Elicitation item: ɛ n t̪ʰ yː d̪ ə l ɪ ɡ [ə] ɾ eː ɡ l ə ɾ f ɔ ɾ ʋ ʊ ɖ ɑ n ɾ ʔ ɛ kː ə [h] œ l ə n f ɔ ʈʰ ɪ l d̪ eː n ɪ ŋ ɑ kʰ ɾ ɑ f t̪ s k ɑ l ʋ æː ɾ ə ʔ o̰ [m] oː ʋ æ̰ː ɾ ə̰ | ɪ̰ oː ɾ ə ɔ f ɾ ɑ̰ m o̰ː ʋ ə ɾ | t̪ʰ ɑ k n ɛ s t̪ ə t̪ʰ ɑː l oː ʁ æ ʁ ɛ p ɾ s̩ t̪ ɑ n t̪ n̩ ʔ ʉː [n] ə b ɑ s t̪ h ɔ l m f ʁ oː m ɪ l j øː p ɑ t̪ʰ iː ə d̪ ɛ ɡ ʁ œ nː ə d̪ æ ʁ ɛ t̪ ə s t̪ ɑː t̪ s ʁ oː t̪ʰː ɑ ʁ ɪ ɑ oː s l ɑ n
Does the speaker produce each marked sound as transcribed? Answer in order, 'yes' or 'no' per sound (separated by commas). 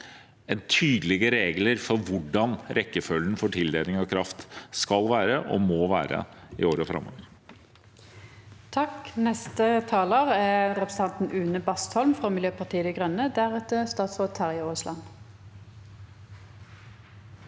yes, no, yes, yes